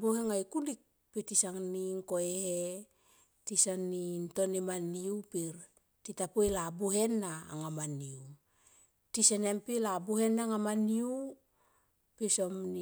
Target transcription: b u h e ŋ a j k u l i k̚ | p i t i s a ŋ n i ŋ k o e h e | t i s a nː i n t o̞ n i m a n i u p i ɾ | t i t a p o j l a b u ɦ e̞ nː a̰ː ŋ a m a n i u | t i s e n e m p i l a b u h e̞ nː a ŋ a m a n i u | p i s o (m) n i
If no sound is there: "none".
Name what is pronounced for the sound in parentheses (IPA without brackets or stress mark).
m